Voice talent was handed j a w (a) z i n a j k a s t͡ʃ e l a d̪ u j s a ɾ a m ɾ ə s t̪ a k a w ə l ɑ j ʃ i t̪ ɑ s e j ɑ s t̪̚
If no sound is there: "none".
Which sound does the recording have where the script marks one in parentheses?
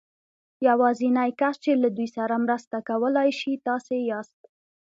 ɑ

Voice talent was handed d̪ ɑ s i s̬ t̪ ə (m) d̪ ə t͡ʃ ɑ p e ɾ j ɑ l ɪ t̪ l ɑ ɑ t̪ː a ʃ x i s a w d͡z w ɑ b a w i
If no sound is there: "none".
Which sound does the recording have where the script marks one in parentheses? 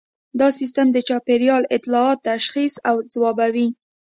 m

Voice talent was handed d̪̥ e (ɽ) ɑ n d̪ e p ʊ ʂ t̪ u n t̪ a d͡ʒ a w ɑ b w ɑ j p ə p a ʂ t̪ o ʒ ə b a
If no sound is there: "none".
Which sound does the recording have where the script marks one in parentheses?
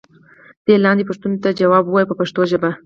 l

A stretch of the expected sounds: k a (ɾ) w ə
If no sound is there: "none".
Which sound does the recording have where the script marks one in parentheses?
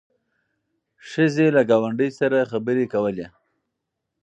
none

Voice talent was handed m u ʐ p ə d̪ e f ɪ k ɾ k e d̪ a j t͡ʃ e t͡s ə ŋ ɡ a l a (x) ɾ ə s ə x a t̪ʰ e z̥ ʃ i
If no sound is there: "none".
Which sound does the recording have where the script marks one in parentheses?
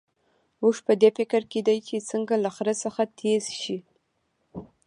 x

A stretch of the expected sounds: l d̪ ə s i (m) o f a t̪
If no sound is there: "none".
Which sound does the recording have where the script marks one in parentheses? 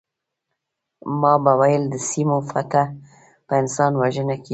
m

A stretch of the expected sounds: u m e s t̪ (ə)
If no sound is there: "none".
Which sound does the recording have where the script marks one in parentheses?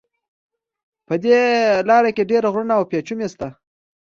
a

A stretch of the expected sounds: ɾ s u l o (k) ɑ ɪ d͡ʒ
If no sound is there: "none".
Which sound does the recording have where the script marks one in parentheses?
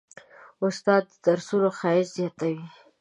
x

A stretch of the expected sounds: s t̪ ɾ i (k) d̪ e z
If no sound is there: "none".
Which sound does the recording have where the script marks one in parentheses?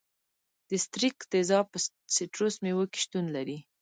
k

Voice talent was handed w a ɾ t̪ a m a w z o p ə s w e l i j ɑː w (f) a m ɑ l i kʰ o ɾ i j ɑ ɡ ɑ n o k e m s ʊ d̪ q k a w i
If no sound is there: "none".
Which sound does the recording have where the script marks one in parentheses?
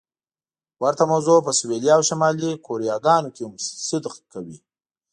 ʃ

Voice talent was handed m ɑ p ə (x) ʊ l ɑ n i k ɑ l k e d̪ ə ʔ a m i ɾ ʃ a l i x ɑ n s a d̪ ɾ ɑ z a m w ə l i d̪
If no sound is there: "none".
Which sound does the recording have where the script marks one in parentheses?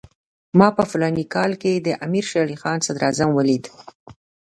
f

